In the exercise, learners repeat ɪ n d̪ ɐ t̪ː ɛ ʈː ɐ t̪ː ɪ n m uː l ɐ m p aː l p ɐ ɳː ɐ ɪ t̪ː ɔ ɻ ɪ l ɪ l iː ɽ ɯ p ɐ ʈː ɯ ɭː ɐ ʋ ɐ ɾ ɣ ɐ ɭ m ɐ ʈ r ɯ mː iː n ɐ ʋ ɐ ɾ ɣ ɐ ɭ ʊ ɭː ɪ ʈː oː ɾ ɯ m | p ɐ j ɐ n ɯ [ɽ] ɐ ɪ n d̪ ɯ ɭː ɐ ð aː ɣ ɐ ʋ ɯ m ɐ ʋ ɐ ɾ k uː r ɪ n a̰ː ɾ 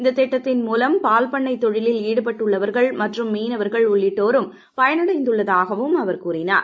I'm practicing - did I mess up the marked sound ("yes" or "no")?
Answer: no